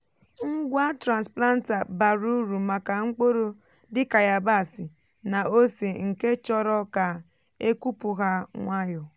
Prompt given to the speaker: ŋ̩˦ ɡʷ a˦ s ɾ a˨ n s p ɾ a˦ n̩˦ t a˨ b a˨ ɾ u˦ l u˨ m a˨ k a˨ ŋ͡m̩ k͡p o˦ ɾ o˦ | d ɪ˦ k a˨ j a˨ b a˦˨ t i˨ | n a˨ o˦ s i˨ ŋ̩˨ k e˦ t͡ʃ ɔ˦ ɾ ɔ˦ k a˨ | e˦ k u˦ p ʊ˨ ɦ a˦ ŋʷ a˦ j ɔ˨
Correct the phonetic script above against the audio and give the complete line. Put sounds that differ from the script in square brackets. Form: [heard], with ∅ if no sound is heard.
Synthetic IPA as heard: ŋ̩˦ ɡʷ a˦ [t] ɾ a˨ n s p [l] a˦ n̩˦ t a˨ b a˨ ɾ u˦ [ɾ] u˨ m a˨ k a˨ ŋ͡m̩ k͡p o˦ ɾ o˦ | d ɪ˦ k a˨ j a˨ b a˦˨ [s] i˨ | n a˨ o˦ s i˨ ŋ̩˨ k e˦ t͡ʃ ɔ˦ ɾ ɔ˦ k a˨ | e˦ k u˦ p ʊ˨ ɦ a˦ ŋʷ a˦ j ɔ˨